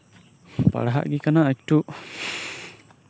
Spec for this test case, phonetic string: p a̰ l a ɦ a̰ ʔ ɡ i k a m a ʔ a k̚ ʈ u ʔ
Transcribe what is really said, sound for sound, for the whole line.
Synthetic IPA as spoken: p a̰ ɽ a ɦ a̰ ʔ ɡ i k a n a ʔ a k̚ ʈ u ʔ